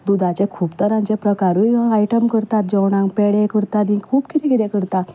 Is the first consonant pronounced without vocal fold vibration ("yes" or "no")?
no